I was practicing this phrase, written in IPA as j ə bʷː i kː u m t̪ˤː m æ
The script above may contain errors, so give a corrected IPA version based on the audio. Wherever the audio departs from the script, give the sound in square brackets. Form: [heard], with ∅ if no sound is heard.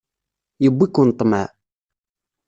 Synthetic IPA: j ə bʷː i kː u [n] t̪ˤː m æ

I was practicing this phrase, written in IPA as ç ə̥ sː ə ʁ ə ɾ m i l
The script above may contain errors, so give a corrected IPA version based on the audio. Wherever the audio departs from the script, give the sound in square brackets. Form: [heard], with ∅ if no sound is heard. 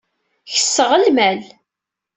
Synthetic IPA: ç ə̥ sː ə ʁ ə [l] m [æ] l

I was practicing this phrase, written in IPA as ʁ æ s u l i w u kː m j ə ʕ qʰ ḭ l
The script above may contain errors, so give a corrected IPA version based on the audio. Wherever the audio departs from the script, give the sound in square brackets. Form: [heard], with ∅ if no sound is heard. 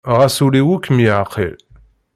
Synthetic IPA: ʁ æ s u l i w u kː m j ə ʕ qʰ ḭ l

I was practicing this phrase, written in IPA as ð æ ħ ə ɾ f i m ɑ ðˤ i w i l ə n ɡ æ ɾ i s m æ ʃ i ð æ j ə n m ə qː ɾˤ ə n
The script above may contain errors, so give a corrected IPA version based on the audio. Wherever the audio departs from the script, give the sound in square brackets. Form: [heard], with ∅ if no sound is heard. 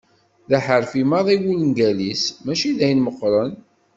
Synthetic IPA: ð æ ħ ə ɾ f i m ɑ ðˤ i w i l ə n ɡ æ [l] i s m æ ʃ i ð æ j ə n m ə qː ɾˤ ə n

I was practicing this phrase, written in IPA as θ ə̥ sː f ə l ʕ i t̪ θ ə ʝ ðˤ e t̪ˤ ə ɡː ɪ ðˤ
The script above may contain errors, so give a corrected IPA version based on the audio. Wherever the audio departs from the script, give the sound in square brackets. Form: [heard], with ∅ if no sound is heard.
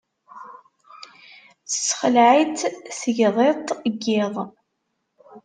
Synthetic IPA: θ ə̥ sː [χ] ə l ʕ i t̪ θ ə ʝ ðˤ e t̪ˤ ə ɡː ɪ ðˤ

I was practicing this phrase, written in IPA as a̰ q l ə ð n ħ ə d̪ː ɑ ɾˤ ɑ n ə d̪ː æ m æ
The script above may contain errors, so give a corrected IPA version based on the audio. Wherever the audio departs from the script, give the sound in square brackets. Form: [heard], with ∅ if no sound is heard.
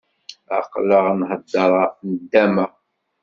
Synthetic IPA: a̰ q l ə [ʁ] n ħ ə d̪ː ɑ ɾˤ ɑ n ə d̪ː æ m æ

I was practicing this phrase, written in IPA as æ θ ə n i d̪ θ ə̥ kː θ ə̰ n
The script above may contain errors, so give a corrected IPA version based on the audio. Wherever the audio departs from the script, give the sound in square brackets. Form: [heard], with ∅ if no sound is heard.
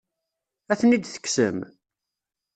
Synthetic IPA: æ θ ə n i d̪ θ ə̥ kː [s] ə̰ [m]

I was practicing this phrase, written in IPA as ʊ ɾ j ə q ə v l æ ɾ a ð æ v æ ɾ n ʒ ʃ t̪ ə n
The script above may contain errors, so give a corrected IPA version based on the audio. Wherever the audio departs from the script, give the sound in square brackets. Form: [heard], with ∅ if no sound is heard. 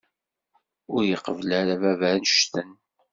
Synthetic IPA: ʊ ɾ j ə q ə v l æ ɾ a [v] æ v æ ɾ n [ʃ] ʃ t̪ ə n

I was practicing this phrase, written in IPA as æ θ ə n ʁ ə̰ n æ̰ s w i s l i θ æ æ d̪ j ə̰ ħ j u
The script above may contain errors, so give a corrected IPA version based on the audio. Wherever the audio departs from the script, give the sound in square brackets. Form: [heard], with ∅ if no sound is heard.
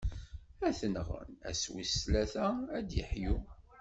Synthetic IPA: æ θ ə n ʁ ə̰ n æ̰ s w i s l [æ] θ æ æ d̪ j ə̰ ħ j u

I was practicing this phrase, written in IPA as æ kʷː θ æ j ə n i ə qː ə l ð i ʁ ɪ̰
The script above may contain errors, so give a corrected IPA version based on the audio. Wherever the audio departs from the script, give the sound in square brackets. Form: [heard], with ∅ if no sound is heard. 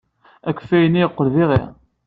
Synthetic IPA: æ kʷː [f] æ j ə n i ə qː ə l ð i ʁ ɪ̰

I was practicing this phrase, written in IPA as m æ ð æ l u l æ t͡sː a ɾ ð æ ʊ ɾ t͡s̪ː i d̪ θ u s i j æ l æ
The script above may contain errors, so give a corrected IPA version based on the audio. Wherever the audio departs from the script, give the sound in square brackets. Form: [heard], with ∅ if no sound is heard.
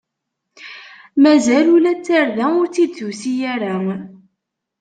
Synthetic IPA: m æ [z] æ l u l æ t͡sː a ɾ ð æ ʊ ɾ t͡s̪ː i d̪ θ u s i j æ [ɾ] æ

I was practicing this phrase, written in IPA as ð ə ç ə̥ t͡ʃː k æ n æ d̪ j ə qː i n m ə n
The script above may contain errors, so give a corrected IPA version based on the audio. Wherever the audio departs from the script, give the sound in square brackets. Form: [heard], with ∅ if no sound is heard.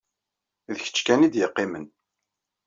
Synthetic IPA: ð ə ç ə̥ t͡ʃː k æ n [i] d̪ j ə qː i [∅] m ə n

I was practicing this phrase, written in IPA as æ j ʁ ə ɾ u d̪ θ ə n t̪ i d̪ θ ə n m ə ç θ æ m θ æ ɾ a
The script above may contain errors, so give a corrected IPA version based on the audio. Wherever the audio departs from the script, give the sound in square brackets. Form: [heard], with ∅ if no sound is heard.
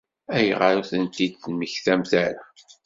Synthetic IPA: æ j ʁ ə ɾ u [∅] θ ə n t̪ i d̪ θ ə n m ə ç θ æ m θ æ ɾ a

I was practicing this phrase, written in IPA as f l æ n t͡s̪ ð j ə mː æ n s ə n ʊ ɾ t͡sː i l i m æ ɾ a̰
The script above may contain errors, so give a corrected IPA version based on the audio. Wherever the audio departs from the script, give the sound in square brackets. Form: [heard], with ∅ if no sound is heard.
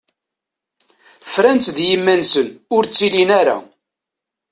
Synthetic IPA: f [ɾ] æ n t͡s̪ ð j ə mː æ n s ə n ʊ ɾ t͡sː i l i [n] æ ɾ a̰

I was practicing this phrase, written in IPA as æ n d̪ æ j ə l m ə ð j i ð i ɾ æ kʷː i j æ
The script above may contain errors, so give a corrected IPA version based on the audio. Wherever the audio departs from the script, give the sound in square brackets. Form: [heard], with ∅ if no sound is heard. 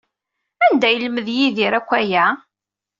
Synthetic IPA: æ n d̪ æ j ə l m ə ð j i ð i ɾ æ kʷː [æ] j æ

